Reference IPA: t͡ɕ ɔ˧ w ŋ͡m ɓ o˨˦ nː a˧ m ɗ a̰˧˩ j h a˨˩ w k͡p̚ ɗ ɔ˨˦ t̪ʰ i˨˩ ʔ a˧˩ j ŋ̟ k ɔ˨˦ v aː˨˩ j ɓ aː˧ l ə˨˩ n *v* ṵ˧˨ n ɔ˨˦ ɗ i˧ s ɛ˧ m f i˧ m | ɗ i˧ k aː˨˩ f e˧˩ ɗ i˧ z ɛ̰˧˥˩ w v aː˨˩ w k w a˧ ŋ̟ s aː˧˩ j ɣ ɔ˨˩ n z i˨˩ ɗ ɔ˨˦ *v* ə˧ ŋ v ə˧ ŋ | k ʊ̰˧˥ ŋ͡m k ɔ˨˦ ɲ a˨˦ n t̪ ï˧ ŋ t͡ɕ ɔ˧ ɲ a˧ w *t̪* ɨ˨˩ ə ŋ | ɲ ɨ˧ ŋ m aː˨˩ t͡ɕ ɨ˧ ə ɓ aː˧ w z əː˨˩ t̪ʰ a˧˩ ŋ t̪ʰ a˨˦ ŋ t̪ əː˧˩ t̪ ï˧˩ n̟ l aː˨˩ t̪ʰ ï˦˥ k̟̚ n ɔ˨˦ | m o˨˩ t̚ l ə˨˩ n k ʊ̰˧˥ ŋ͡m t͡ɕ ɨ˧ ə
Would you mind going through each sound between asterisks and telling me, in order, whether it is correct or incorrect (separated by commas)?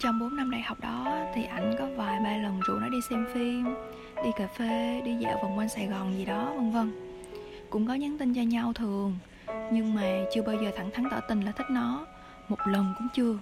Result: incorrect, correct, incorrect